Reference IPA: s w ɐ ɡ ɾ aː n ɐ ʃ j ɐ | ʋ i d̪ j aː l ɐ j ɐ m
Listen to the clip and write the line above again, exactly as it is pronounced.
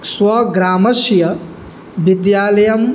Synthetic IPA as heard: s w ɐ ɡ ɾ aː m ɐ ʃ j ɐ | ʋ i d̪ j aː l ɐ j ɐ m